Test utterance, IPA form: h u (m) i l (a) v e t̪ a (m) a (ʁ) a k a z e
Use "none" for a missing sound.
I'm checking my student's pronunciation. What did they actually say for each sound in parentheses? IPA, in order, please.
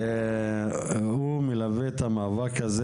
m, a, m, v

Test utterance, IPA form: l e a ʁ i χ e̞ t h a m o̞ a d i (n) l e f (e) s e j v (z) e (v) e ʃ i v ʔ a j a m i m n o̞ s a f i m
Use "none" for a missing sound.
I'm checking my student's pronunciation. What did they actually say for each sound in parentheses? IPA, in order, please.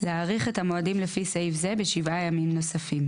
m, i, z, b

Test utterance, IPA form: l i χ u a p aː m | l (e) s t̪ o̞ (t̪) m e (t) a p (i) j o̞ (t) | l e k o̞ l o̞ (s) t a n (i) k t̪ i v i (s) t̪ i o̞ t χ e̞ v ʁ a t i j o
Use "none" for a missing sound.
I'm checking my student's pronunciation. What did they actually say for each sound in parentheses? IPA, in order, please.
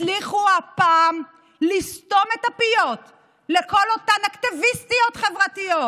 i, none, t, i, t, none, a, s

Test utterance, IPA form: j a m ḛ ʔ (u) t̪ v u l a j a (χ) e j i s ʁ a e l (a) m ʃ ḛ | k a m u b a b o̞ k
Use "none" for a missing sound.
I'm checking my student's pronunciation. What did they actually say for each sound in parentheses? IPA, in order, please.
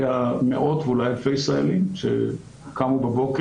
o, f, i

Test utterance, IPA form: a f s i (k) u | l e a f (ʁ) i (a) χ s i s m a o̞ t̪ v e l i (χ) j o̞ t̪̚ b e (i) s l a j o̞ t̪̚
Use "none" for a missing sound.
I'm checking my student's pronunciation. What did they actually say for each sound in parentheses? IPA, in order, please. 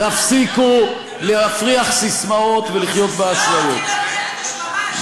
k, ʁ, a, χ, a

